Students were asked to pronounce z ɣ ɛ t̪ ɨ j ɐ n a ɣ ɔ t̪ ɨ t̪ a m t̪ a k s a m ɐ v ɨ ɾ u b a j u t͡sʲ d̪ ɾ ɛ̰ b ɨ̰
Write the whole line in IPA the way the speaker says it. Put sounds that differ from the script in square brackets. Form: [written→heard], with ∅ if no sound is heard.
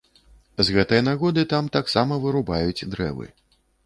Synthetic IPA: z ɣ ɛ t̪ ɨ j ɐ n a ɣ ɔ [t̪→d̪] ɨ t̪ a m t̪ a k s a m ɐ v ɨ ɾ u b a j u t͡sʲ d̪ ɾ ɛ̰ [b→v] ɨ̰